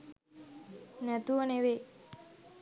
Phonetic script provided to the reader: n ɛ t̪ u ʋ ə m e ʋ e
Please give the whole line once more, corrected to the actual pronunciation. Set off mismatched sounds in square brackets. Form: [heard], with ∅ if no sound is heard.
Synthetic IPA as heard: n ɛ t̪ u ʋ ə [n] e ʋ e